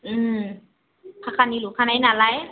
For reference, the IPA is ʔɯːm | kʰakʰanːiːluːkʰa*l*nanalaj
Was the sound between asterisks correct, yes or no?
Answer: no